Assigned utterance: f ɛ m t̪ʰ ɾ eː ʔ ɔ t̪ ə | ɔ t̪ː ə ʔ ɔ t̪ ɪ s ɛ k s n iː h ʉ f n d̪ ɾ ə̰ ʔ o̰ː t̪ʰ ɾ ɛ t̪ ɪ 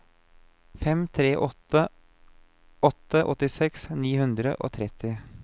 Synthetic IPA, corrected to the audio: f ɛ m t̪ʰ ɾ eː ʔ ɔ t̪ ə | ɔ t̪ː ə ʔ ɔ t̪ ɪ s ɛ k s n iː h ʉ n d̪ ɾ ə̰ ʔ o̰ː t̪ʰ ɾ ɛ t̪ ɪ